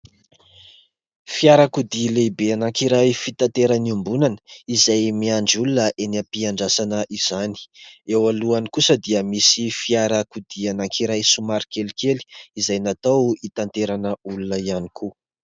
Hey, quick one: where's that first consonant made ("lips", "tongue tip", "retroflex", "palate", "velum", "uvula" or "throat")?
lips